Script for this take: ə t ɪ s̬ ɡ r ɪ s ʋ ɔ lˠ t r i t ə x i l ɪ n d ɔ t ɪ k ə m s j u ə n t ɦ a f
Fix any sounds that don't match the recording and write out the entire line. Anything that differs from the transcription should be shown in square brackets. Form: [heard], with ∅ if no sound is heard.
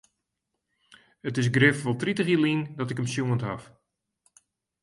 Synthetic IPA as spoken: ə t ɪ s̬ ɡ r ɪ [f] ʋ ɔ lˠ t r i t ə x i l [i] n d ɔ t ɪ k ə m s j u ə n t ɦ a f